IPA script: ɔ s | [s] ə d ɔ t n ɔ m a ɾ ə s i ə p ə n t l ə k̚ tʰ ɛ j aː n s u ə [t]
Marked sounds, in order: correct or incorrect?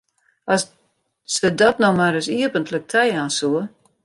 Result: correct, incorrect

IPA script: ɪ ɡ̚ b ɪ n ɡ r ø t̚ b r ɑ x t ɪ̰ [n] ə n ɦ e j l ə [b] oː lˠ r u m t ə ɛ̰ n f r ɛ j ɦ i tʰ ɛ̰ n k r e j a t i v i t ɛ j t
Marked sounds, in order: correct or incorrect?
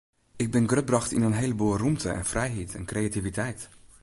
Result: correct, correct

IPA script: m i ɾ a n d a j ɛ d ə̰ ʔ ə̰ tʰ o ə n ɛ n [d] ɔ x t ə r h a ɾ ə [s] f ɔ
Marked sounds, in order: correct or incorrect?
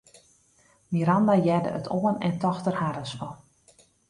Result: incorrect, correct

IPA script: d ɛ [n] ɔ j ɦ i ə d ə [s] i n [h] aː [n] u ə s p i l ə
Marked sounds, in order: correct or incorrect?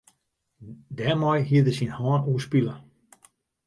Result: incorrect, correct, correct, correct

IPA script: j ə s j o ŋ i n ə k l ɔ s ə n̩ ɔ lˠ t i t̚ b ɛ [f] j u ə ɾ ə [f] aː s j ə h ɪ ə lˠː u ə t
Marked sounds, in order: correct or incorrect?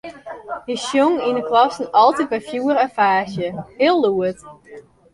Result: correct, correct

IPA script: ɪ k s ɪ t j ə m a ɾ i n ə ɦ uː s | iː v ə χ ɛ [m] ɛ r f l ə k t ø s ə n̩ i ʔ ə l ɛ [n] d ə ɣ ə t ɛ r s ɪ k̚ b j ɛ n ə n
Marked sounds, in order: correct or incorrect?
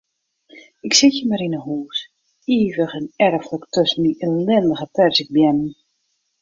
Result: incorrect, correct

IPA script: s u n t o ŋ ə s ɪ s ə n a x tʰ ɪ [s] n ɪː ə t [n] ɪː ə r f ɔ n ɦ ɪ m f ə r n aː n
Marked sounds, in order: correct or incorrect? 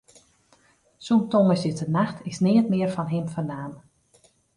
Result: correct, incorrect

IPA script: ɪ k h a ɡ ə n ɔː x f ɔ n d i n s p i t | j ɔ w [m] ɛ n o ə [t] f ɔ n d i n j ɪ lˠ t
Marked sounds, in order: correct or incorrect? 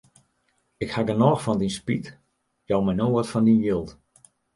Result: correct, correct

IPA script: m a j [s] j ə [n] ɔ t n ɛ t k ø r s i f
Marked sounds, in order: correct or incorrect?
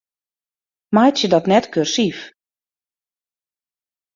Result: incorrect, incorrect

